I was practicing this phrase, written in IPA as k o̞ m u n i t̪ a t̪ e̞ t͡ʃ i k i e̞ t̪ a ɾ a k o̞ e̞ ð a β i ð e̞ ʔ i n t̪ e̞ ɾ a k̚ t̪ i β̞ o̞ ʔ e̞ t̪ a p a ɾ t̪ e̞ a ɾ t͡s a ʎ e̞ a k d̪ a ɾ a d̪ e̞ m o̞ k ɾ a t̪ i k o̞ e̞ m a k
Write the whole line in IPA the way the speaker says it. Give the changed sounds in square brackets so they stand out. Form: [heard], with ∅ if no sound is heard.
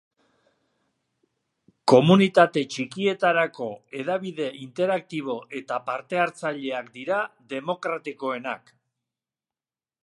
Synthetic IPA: k o̞ m u n i t̪ a t̪ e̞ t͡ʃ i k i e̞ t̪ a ɾ a k o̞ e̞ ð a β i ð e̞ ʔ i n t̪ e̞ ɾ a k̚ t̪ i β̞ o̞ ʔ e̞ t̪ a p a ɾ t̪ e̞ a ɾ t͡s a ʎ e̞ a k d̪ [i] ɾ a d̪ e̞ m o̞ k ɾ a t̪ i k o̞ e̞ [n] a k